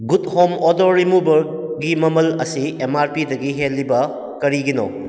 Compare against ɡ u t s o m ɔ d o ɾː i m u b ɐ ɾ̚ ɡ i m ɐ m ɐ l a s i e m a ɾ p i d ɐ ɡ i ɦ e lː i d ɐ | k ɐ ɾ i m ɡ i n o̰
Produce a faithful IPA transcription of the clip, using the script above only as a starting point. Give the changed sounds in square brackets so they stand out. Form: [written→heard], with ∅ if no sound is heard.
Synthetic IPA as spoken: ɡ u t [s→h] o m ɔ d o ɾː i m u b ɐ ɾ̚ ɡ i m ɐ m ɐ l [a→ɐ] s i e m a ɾ p i d ɐ ɡ i ɦ e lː i [d→b] ɐ | k ɐ ɾ i [m→∅] ɡ i n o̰